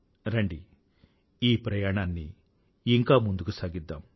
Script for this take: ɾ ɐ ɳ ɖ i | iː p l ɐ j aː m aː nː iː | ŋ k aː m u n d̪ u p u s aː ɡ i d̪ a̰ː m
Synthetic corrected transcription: ɾ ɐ ɳ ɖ i | iː p ɾ ɐ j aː ɳ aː nː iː | ŋ k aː m u n d̪ u k u s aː ɡ i d̪ː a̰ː m